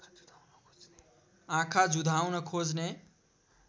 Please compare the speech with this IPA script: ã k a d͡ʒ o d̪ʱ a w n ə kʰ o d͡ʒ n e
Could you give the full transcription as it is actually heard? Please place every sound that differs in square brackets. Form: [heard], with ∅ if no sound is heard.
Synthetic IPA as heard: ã [kʰ] a d͡ʒ [u] d̪ʱ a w n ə kʰ o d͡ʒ n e

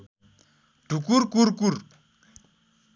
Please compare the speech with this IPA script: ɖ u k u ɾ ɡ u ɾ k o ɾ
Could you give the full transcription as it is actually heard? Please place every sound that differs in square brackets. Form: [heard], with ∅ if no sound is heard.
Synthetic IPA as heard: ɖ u k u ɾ [k] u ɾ k [u] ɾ

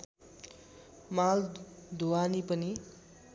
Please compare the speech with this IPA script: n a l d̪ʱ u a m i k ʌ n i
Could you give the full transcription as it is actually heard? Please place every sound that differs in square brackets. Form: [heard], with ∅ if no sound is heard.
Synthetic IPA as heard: [m] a l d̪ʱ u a [n] i [p] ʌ n i

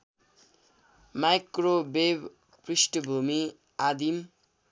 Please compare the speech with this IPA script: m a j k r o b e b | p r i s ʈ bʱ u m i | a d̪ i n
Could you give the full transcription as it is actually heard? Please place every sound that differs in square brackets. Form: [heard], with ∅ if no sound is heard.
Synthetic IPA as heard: m a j k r o b e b | p r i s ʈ bʱ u m i | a d̪ i [m]

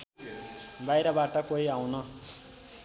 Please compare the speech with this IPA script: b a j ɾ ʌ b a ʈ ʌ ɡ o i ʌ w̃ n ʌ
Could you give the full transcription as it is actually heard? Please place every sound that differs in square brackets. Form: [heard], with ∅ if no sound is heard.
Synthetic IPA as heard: b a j ɾ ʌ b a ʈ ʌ [k] o i [a] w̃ n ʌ

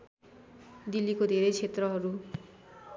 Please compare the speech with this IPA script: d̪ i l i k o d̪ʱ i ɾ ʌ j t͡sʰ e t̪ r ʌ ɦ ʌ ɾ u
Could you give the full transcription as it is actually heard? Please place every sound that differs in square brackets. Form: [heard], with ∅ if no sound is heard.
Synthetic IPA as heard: d̪ i l i k o d̪ʱ [e] ɾ ʌ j t͡sʰ e t̪ r ʌ ɦ ʌ ɾ u

